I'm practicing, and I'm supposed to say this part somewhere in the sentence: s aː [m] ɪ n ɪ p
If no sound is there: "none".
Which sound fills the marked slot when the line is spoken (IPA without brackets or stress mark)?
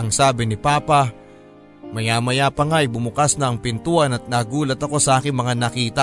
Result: b